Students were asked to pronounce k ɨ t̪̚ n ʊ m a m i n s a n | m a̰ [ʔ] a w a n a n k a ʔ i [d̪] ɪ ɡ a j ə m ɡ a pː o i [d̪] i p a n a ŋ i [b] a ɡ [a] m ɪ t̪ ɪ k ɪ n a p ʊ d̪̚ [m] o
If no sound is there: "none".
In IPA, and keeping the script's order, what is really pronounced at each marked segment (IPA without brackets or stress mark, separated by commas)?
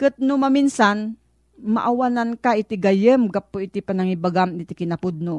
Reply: ʔ, t̪, t̪, b, a, n